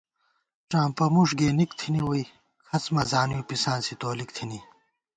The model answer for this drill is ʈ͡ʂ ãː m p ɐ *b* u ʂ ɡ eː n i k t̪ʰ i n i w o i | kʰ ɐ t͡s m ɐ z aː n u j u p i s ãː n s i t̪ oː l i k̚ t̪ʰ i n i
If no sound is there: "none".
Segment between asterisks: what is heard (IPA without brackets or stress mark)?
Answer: m